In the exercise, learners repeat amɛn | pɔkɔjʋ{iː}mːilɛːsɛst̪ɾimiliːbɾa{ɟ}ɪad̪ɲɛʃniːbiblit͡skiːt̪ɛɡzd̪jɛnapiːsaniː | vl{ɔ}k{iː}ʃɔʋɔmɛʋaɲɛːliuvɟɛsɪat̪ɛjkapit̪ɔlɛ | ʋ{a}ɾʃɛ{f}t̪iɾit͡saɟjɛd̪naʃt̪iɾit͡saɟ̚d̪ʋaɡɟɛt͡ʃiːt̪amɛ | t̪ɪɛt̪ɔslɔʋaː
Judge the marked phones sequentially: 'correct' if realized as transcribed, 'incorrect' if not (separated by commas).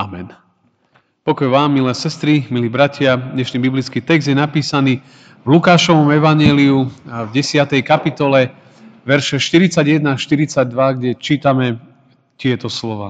incorrect, incorrect, incorrect, incorrect, incorrect, incorrect